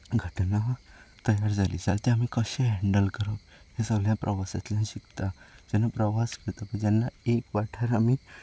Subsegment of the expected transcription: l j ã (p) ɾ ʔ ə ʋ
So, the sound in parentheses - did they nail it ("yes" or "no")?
yes